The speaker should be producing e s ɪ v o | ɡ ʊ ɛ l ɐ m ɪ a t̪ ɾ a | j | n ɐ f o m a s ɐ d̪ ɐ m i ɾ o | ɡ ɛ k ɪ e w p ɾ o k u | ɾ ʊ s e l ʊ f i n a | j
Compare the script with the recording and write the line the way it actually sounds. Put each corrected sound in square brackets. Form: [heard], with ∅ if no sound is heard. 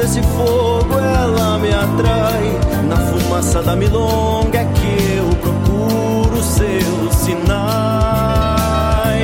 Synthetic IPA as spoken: e s ɪ [f] o | ɡ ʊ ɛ l ɐ m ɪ a t̪ ɾ a | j | n ɐ f [u] m a s ɐ d̪ ɐ m i [l] o | ɡ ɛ k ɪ e w p ɾ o k u | ɾ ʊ s e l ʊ [s] i n a | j